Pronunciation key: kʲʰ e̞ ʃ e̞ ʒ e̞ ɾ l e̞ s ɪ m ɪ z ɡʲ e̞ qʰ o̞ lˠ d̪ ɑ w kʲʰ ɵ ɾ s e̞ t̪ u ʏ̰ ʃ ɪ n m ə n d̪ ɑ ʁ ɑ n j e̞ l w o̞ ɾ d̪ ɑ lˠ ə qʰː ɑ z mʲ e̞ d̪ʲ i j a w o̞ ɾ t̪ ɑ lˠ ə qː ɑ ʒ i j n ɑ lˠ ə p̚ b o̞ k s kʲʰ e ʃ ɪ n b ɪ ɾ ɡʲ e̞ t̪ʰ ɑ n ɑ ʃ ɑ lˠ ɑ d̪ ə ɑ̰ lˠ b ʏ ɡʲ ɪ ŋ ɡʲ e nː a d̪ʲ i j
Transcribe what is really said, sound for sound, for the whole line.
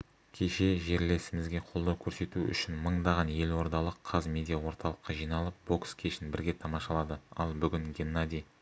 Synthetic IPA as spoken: kʲʰ e̞ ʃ e̞ ʒ e̞ ɾ l e̞ s ɪ m ɪ z ɡʲ e̞ qʰ o̞ lˠ d̪ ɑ w kʲʰ ɵ ɾ s e̞ t̪ u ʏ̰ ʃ ɪ n m ə ɴ d̪ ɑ ʁ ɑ n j e̞ l w o̞ ɾ d̪ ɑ lˠ ə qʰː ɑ z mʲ e̞ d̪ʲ i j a w o̞ ɾ t̪ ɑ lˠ ə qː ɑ ʒ i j n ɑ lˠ ə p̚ b o̞ k s kʲʰ e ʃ ɪ n b ɪ ɾ ɡʲ e̞ t̪ʰ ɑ m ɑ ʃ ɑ lˠ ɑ d̪ ə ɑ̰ lˠ b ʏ ɡʲ ɪ ŋ ɡʲ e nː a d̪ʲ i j